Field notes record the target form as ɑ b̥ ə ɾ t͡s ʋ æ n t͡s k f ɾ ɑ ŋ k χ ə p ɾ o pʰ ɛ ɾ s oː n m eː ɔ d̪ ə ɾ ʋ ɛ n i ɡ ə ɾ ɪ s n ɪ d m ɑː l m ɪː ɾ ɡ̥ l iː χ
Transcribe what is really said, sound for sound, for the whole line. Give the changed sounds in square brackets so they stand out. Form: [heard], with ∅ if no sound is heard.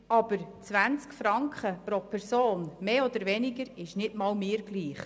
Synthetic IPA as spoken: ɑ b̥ ə ɾ t͡s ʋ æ n t͡s k f ɾ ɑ ŋ k χ ə p ɾ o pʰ ɛ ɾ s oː n m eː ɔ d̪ ə ɾ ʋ ɛ n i ɡ ə ɾ ɪ [ʃ] n ɪ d m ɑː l m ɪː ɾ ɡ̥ l iː χ